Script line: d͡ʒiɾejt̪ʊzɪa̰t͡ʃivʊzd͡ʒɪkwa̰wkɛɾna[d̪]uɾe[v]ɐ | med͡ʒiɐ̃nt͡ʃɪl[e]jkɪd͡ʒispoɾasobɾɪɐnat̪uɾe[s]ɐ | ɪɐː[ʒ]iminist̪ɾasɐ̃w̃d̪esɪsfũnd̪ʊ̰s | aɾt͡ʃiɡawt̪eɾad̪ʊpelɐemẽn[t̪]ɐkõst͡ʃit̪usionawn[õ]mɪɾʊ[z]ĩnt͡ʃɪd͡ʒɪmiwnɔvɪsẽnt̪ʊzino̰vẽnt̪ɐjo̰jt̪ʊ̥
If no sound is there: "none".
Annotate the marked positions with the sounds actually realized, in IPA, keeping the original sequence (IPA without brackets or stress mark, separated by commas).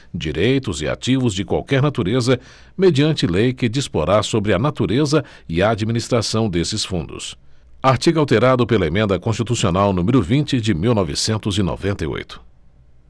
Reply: t̪, z, e, z, d͡ʒ, d̪, ũ, v